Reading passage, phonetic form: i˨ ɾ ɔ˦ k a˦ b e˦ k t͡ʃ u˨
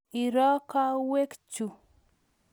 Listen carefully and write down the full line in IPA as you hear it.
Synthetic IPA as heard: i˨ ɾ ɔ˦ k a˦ w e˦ k t͡ʃ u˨

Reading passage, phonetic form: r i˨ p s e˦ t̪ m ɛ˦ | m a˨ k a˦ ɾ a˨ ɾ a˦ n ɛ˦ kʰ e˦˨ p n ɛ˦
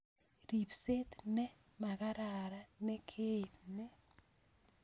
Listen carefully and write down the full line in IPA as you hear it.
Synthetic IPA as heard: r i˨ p s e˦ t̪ n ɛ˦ | m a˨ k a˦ ɾ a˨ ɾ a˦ n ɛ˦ kʰ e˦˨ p n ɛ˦

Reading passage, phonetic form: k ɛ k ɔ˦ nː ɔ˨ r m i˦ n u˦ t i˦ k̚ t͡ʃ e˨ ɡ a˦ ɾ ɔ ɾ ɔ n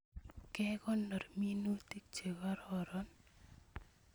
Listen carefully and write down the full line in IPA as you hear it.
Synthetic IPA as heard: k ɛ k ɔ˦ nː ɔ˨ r m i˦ n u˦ t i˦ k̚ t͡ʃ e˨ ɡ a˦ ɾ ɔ ɾ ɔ n

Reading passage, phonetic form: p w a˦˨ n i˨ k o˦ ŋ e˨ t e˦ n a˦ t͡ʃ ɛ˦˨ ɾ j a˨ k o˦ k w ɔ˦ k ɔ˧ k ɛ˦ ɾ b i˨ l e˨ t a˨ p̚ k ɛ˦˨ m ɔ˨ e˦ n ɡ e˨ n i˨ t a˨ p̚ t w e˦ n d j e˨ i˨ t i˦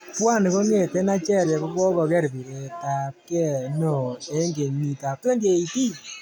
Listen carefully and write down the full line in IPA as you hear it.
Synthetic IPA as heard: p w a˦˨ n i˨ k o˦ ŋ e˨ t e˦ n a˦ t͡ʃ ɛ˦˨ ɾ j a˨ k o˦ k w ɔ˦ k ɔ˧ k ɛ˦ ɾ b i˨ ɾ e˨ t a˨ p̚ k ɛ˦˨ n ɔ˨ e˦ ŋ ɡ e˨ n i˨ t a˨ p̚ t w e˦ n d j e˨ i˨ t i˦

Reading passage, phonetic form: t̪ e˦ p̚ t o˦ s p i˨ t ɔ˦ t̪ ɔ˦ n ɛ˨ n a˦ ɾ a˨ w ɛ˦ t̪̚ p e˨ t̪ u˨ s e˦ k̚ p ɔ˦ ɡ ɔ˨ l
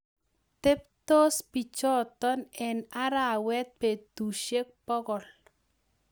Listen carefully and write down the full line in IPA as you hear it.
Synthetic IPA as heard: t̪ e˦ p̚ t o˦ s p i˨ t͡ʃ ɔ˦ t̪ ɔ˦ n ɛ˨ n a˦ ɾ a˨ w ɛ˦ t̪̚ p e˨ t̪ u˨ ʃ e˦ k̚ p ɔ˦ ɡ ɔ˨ l

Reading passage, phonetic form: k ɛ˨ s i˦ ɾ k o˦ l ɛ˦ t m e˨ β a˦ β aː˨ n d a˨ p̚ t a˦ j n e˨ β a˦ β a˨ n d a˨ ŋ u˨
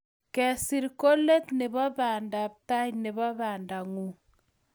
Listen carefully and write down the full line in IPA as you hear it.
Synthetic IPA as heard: k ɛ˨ s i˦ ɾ k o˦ l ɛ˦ t n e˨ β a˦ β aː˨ n d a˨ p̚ t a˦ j n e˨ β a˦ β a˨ n d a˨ ŋ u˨

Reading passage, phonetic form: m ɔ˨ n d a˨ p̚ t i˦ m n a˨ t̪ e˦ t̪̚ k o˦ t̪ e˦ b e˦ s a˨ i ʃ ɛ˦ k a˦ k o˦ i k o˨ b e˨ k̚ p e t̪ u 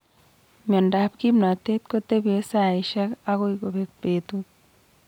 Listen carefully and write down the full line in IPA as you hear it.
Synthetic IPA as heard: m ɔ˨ n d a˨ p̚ k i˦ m n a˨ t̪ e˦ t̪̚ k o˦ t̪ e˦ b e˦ s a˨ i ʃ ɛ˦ k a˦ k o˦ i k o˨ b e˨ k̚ p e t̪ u

